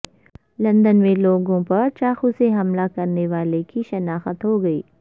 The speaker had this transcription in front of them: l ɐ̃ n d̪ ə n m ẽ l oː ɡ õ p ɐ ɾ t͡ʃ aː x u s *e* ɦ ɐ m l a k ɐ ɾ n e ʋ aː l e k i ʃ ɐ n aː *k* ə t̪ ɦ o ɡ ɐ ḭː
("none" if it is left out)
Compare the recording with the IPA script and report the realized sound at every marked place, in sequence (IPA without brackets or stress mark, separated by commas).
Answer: e, x